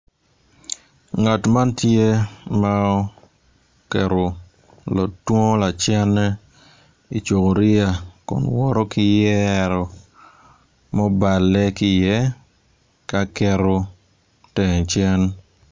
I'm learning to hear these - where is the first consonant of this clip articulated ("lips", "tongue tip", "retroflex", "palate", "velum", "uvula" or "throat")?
velum